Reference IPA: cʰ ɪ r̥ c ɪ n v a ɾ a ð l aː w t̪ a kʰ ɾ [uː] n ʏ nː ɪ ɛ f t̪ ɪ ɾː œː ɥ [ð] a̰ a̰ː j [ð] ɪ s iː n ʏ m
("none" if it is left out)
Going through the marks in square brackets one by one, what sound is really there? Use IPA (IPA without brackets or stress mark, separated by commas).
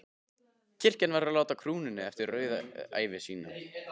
uː, ð, v